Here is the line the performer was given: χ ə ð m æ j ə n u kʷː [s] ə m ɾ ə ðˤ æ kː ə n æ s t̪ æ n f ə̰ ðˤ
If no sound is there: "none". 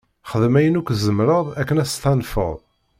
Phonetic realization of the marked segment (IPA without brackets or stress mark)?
z